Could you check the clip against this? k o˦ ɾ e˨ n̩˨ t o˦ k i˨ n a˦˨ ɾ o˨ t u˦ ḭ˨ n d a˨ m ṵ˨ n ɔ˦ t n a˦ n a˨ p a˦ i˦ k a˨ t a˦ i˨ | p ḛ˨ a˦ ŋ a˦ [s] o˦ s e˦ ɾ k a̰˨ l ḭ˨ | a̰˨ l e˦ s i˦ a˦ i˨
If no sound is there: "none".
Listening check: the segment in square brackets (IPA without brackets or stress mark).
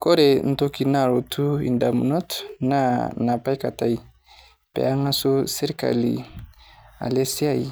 s